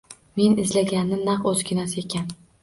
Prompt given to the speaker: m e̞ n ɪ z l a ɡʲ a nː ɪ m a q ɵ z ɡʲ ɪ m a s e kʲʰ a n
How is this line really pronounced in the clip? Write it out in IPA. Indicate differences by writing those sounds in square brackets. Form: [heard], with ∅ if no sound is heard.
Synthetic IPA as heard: m e̞ n ɪ z l a ɡʲ a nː ɪ [n] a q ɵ z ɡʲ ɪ [n] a s e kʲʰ a n

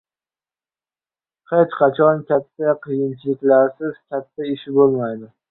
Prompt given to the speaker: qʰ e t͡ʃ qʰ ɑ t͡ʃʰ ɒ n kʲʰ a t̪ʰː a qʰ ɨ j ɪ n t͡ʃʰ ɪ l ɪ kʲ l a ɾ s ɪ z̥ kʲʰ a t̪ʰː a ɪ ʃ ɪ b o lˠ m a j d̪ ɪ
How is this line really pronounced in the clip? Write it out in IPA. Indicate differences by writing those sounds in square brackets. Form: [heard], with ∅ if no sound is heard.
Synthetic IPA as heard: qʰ e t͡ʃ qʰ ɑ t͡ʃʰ ɒ n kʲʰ a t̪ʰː a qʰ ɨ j ɪ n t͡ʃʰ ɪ l ɪ kʲ l a ɾ s ɪ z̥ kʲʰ a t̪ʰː a ɪ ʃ ɪ b o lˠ m a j d̪ ɪ

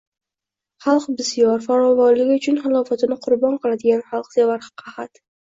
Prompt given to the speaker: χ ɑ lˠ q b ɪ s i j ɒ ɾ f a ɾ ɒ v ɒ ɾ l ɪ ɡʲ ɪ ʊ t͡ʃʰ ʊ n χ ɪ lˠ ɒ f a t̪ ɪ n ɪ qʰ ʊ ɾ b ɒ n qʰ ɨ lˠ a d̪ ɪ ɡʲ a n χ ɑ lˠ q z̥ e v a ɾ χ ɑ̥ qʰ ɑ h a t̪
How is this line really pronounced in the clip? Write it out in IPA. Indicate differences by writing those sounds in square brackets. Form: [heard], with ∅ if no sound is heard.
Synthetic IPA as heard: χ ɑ lˠ q b ɪ s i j ɒ ɾ f a ɾ ɒ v ɒ ɾ l ɪ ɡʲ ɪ ʊ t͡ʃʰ ʊ n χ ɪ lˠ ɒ f a t̪ ɪ n ɪ qʰ ʊ ɾ b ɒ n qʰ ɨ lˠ a d̪ ɪ ɡʲ a n χ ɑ lˠ q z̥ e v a ɾ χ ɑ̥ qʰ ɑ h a t̪

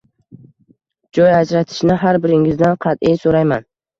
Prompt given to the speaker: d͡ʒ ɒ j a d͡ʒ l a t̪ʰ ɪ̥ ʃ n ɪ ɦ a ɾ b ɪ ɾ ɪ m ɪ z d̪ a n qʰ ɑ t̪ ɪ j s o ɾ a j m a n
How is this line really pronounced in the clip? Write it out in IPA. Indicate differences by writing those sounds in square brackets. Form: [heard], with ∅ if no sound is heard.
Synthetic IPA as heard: d͡ʒ ɒ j a d͡ʒ [ɾ] a t̪ʰ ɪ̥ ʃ n ɪ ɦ a ɾ b ɪ ɾ ɪ [ŋ] ɪ z d̪ a n qʰ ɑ t̪ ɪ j s o ɾ a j m a n

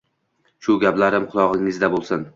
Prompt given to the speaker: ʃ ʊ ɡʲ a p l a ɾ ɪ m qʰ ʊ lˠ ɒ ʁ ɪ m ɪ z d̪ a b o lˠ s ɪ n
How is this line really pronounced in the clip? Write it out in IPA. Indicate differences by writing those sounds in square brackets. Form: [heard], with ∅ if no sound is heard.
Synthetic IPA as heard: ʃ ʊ ɡʲ a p l a ɾ ɪ m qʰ ʊ lˠ ɒ ʁ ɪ [ŋ] ɪ z d̪ a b o lˠ s ɪ n

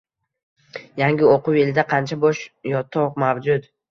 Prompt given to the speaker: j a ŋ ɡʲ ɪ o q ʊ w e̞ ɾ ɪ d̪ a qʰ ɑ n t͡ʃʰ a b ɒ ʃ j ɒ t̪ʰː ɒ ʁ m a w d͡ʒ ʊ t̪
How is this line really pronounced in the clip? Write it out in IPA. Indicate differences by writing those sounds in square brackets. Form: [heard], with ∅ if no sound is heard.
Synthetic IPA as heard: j a ŋ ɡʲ ɪ o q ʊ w e̞ [l] ɪ d̪ a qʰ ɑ n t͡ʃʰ a b ɒ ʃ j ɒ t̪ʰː ɒ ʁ m a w d͡ʒ ʊ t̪

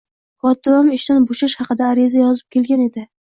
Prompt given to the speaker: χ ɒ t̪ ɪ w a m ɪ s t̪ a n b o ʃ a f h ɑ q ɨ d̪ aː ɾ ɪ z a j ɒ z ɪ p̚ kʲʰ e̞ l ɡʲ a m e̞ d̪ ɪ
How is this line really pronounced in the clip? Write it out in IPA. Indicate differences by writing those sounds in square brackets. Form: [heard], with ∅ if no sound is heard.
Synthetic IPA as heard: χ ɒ t̪ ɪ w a m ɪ [ʃ] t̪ a n b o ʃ a [ʃ] h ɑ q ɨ d̪ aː ɾ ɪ z a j ɒ z ɪ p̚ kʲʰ e̞ l ɡʲ a [n] e̞ d̪ ɪ

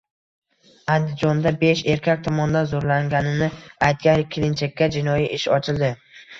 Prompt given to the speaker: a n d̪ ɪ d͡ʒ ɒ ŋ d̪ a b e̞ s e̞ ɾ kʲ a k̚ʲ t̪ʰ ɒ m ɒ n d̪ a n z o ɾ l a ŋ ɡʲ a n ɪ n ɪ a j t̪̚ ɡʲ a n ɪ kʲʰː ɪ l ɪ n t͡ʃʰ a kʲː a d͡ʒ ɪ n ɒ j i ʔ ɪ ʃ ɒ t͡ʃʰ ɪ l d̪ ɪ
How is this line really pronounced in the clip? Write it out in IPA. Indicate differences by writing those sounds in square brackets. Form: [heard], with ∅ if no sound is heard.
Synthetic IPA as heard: a n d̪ ɪ d͡ʒ ɒ [n] d̪ a b e̞ [ʃ] e̞ ɾ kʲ a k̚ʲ t̪ʰ ɒ m ɒ n d̪ a n z o ɾ l a ŋ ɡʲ a n ɪ n ɪ a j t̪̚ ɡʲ a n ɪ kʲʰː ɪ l ɪ n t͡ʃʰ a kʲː a d͡ʒ ɪ n ɒ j i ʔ ɪ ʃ ɒ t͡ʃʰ ɪ l d̪ ɪ

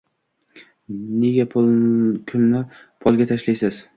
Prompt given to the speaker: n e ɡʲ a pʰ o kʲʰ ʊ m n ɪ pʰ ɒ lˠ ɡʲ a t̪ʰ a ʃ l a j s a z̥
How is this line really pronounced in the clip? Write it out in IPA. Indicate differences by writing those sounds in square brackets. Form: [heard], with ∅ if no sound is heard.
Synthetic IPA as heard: n e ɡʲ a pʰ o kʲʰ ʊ m n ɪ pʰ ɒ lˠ ɡʲ a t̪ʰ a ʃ l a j s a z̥

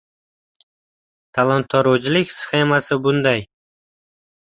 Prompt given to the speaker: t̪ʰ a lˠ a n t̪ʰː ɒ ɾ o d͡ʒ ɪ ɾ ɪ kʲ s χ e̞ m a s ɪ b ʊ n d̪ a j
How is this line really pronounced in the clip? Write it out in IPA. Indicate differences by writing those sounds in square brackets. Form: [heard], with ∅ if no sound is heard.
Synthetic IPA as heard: t̪ʰ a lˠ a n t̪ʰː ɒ ɾ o d͡ʒ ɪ [l] ɪ kʲ s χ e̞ m a s ɪ b ʊ n d̪ a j

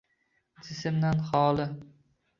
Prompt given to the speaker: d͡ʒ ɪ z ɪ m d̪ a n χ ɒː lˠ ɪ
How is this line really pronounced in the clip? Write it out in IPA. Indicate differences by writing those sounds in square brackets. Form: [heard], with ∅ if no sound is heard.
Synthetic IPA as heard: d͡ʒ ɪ [s] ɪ m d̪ a n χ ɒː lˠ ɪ

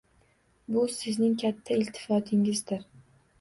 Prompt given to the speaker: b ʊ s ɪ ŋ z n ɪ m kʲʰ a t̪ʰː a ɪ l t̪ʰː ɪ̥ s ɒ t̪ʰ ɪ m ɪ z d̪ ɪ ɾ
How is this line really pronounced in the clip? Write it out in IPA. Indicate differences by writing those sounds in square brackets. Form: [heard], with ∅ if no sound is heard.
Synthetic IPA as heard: b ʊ s ɪ [∅] z n ɪ [ŋ] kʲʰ a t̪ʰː a ɪ l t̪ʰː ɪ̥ [f] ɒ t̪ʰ ɪ [ŋ] ɪ z d̪ ɪ ɾ

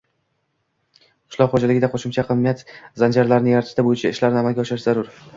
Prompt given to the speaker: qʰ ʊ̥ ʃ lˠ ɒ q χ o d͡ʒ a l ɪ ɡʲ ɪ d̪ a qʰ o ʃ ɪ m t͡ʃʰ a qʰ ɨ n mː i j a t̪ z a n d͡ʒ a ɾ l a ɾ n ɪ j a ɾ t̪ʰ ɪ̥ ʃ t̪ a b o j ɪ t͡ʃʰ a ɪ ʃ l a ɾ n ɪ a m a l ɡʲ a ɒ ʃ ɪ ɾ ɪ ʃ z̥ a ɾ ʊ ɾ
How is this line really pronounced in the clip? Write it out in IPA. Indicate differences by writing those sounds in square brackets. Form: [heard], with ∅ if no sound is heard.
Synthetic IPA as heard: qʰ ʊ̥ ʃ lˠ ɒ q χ o d͡ʒ a l ɪ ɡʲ ɪ d̪ a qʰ o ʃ ɪ m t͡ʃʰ a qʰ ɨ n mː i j a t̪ z a n d͡ʒ a ɾ l a ɾ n ɪ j a ɾ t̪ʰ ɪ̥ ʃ t̪ a b o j ɪ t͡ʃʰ a ɪ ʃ l a ɾ n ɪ a m a l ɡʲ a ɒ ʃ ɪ ɾ ɪ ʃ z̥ a ɾ ʊ ɾ

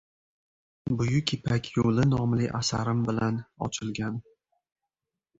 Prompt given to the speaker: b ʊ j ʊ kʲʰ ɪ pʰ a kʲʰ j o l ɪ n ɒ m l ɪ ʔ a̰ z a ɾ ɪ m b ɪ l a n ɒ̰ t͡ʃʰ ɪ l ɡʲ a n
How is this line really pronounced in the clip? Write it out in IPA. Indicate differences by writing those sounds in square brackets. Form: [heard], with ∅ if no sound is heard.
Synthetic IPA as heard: b ʊ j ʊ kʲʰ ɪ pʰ a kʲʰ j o l ɪ n ɒ m l ɪ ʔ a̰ [s] a ɾ ɪ m b ɪ l a n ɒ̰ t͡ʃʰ ɪ l ɡʲ a n

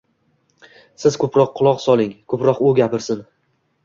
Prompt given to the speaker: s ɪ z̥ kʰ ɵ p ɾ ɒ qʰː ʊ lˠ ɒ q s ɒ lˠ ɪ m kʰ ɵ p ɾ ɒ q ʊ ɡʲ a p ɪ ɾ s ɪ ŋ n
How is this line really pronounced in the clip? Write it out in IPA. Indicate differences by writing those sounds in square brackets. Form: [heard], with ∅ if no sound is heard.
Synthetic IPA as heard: s ɪ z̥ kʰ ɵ p ɾ ɒ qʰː ʊ lˠ ɒ q s ɒ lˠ ɪ [ŋ] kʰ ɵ p ɾ ɒ q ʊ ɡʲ a p ɪ ɾ s ɪ [∅] n

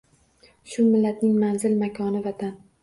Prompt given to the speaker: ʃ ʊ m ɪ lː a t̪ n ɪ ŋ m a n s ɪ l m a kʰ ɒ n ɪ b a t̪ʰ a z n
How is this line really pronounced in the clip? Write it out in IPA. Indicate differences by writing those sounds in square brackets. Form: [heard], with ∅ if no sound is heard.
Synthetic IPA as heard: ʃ ʊ m ɪ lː a t̪ n ɪ ŋ m a n [z] ɪ l m a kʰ ɒ n ɪ [v] a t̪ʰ a [∅] n

